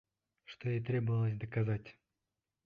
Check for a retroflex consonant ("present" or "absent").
present